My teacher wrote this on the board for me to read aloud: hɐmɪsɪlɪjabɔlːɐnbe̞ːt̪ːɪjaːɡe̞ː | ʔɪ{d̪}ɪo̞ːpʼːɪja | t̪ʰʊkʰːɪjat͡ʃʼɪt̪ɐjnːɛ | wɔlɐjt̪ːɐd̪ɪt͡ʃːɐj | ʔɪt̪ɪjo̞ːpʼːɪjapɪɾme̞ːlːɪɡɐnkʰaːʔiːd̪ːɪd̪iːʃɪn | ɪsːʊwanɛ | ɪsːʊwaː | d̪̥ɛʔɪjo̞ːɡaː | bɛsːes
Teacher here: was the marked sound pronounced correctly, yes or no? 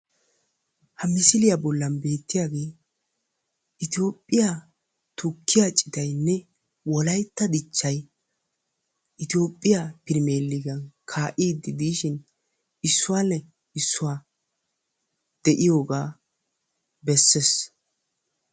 no